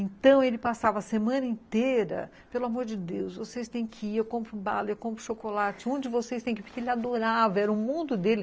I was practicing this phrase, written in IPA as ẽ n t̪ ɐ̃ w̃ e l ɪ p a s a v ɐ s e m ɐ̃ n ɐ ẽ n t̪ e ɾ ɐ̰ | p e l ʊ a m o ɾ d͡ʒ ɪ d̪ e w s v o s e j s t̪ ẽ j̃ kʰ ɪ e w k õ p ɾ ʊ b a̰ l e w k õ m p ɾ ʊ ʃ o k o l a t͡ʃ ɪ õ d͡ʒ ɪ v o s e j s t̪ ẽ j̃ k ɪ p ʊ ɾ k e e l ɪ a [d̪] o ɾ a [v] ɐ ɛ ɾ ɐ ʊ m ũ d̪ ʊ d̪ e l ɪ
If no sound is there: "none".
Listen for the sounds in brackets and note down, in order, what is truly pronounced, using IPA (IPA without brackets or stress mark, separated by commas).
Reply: d̪, v